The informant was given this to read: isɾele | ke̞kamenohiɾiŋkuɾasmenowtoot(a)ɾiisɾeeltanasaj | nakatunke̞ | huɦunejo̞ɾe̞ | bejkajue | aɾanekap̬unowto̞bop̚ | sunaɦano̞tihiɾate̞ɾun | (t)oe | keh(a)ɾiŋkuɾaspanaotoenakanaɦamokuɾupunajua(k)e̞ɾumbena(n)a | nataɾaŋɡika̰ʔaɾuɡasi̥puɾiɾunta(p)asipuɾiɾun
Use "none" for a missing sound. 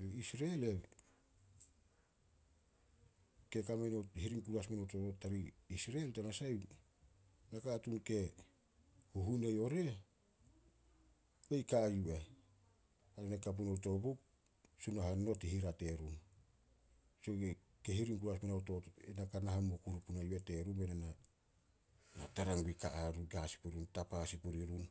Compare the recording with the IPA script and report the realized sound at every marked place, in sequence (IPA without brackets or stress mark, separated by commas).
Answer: a, s, i, t, n, p